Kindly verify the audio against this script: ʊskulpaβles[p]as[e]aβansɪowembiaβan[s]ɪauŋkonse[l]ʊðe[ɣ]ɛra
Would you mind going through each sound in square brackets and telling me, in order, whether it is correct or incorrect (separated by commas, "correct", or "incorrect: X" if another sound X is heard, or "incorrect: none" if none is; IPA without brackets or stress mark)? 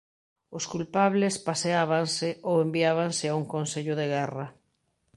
correct, correct, correct, incorrect: ʎ, correct